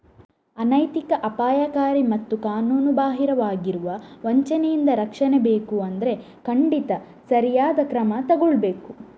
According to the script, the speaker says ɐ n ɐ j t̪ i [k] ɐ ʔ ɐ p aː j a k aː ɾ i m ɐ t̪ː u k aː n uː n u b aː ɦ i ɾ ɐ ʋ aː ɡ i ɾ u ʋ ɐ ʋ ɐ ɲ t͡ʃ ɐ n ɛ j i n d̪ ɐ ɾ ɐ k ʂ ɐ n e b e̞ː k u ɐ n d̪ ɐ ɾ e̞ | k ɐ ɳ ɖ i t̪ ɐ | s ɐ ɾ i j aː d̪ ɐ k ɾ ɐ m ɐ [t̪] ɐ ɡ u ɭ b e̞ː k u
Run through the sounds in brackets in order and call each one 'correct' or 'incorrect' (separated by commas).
correct, correct